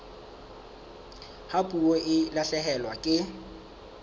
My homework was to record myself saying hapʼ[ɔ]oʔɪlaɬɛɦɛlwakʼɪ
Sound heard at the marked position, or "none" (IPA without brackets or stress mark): u